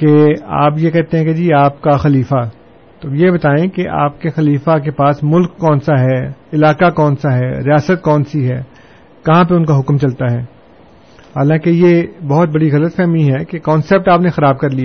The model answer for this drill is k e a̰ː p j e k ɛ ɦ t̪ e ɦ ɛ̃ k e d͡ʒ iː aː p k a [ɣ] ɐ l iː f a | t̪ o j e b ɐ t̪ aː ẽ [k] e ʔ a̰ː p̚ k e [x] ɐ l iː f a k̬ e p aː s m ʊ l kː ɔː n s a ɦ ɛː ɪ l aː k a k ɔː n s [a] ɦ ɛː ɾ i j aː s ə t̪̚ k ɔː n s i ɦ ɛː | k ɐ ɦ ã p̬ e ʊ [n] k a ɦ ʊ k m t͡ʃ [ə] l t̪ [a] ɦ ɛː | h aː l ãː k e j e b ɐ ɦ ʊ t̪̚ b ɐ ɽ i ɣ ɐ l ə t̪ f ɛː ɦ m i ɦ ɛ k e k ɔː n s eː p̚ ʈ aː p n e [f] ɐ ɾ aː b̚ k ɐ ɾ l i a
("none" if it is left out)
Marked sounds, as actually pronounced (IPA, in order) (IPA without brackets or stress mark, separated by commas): x, k, x, a, n, ɐ, a, x